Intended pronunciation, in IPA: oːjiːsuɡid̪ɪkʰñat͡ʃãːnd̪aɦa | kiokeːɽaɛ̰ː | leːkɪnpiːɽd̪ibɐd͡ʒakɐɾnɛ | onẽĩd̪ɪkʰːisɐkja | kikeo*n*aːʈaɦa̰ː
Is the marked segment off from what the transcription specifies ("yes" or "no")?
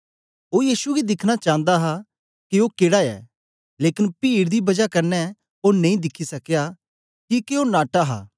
no